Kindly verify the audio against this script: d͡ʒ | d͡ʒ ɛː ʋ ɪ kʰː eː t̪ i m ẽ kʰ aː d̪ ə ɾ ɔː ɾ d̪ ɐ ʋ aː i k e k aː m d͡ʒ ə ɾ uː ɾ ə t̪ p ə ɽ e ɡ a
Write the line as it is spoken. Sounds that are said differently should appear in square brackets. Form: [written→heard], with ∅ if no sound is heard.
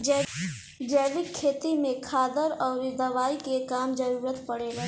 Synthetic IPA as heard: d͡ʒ | d͡ʒ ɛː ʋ ɪ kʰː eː t̪ i m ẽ kʰ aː d̪ ə ɾ ɔː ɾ d̪ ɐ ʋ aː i k e k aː m d͡ʒ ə ɾ uː ɾ ə t̪ p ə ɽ e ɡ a